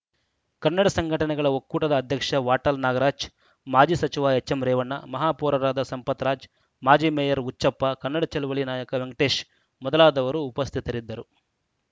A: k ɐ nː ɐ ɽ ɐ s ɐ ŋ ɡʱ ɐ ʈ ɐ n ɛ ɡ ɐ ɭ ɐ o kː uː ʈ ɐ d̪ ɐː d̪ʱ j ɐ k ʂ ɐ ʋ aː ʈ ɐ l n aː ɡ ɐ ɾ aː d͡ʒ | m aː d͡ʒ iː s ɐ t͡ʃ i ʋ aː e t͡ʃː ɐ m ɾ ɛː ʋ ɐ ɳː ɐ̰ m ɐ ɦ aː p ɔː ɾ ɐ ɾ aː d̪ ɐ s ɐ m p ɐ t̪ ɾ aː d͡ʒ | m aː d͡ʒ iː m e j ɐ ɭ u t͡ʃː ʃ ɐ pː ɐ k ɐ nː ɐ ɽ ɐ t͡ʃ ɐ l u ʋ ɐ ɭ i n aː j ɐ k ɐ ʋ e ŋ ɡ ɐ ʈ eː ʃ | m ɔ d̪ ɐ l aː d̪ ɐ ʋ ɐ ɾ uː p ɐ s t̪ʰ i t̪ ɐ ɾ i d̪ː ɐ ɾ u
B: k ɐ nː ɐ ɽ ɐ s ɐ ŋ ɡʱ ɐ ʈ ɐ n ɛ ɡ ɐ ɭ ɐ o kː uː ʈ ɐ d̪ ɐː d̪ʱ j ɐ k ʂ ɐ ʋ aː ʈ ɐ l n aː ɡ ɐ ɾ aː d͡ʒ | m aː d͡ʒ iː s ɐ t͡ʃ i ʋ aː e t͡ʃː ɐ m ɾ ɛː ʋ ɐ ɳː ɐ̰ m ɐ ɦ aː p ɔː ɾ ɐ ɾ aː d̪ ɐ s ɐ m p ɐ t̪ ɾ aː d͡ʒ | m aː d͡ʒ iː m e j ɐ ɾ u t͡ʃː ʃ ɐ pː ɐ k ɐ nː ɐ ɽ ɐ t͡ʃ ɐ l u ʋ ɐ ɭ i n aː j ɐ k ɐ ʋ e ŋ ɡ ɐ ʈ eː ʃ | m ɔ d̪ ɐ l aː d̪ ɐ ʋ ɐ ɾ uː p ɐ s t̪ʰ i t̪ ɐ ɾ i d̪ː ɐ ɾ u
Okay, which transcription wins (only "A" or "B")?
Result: B